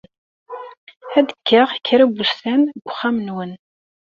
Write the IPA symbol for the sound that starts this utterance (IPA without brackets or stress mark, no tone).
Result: æ